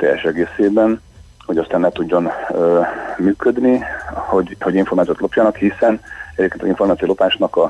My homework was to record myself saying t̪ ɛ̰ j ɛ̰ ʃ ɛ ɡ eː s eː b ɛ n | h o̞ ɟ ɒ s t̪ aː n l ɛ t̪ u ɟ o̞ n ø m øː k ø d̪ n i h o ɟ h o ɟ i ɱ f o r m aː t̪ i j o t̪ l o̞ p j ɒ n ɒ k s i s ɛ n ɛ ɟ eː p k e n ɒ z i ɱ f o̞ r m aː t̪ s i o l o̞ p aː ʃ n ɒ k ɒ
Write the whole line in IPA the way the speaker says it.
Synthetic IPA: t̪ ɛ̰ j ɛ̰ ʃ ɛ ɡ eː s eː b ɛ n | h o̞ ɟ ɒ s t̪ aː n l ɛ t̪ u ɟː o̞ n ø m yː k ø d̪ n i h o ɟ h o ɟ i ɱ f o r m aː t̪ i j o t̪ l o̞ p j ɒ n ɒ k h i s ɛ n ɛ ɟ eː p k e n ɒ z i ɱ f o̞ r m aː t̪ s i o l o̞ p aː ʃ n ɒ k ɒ